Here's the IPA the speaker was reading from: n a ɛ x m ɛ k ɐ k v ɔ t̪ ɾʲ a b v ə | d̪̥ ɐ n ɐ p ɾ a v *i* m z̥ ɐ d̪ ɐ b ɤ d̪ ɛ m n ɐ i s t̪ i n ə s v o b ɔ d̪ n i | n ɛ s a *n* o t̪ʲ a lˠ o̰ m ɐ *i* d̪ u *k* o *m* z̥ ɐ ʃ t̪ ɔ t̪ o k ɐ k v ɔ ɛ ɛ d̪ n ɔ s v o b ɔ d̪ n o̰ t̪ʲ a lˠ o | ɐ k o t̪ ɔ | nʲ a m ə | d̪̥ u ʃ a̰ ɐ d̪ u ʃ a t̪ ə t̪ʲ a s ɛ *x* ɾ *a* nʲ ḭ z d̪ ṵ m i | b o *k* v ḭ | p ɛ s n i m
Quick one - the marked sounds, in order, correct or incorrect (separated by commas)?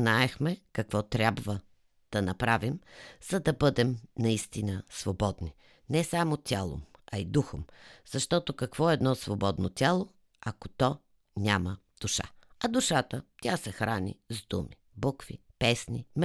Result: correct, incorrect, correct, incorrect, correct, correct, correct, correct